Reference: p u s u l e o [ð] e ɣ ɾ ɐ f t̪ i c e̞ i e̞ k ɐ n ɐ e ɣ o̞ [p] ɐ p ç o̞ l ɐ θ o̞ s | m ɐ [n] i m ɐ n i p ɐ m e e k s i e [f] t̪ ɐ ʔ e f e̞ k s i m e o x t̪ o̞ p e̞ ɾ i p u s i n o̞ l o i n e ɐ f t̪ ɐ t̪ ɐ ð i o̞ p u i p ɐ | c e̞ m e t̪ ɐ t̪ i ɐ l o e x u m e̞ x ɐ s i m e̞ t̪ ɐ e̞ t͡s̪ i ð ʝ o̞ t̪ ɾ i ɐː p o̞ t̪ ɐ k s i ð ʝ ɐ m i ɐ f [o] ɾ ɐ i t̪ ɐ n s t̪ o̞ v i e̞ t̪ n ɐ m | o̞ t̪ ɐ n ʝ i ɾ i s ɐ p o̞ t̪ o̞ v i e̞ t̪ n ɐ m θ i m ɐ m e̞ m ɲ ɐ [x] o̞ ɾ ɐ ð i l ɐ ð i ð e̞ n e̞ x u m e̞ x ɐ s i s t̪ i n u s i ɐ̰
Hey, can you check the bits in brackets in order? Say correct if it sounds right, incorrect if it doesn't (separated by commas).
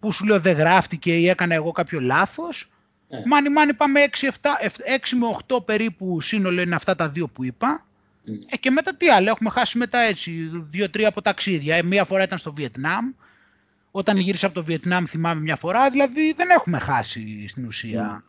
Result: correct, incorrect, correct, correct, correct, incorrect